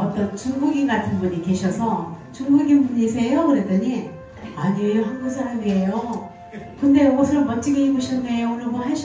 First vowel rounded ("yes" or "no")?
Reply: no